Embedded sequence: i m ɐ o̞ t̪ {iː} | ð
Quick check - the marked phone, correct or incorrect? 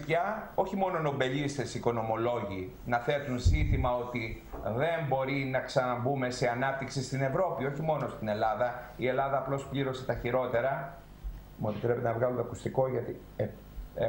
incorrect